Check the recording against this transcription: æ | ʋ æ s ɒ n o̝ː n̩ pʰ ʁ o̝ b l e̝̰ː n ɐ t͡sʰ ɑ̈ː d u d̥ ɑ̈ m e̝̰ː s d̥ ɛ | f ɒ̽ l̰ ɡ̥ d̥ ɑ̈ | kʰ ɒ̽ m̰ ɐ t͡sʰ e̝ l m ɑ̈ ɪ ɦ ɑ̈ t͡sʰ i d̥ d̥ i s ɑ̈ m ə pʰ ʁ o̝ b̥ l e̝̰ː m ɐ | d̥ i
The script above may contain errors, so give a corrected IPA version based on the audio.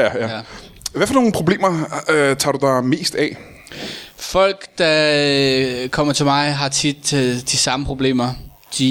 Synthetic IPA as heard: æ | ʋ æ f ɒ n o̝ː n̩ pʰ ʁ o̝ b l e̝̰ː m ɐ t͡sʰ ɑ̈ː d u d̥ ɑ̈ m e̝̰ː s d̥ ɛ | f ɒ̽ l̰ ɡ̥ d̥ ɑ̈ | kʰ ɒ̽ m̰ ɐ t͡sʰ e̝ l m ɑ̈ ɪ ɦ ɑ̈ t͡sʰ i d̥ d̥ i s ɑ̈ m ə pʰ ʁ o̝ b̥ l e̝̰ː m ɐ | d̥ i